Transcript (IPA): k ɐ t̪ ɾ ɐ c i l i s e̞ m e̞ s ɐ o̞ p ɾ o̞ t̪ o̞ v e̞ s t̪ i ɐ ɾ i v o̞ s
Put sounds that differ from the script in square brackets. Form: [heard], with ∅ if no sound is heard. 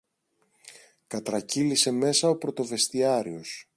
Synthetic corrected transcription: k ɐ t̪ ɾ ɐ c i l i s e̞ m e̞ s ɐ o̞ p ɾ o̞ t̪ o̞ v e̞ s t̪ i ɐ ɾ i [∅] o̞ s